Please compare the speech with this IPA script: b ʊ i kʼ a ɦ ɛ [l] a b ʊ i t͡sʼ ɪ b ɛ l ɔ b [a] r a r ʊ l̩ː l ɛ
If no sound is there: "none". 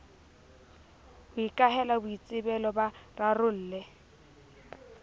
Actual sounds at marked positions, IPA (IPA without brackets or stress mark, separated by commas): l, a